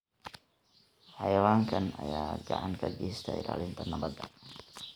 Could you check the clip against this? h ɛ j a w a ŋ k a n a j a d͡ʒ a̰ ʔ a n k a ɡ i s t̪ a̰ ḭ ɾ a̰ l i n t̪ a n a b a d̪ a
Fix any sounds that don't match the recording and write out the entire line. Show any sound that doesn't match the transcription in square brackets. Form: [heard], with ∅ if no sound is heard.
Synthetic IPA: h [a] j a w a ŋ k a n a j a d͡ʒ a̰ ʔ a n k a ɡ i s t̪ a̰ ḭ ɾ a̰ l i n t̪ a n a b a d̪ a